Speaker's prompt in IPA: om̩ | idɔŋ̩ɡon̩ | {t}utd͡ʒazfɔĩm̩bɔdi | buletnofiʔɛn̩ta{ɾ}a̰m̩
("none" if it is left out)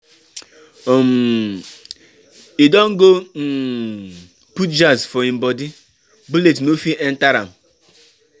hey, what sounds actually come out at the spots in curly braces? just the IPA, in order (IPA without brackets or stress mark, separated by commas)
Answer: p, ɾ